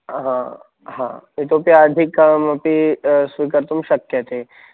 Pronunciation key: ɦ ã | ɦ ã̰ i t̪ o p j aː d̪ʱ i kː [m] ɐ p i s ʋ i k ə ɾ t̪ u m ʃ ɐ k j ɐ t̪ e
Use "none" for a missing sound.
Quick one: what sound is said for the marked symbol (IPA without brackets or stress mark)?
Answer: m